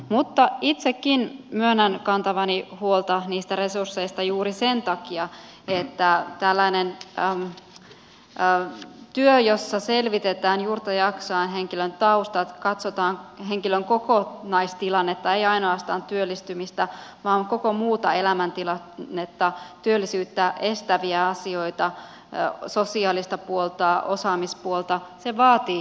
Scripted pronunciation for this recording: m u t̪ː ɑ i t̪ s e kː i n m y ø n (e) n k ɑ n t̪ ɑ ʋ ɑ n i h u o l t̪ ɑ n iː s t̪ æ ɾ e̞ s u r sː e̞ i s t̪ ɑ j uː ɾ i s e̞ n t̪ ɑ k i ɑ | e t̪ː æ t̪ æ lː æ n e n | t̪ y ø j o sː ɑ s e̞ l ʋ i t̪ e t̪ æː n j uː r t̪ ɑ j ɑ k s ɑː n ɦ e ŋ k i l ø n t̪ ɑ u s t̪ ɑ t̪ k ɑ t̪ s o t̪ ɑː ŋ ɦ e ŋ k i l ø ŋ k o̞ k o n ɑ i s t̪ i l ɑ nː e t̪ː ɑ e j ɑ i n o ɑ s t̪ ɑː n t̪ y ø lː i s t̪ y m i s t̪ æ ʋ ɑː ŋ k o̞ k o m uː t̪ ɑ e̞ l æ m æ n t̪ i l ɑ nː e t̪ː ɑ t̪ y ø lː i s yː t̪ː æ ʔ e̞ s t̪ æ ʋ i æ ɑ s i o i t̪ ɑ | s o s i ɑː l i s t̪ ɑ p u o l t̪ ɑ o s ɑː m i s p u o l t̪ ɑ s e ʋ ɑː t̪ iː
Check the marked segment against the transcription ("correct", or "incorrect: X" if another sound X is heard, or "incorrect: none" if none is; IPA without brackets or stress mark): incorrect: æ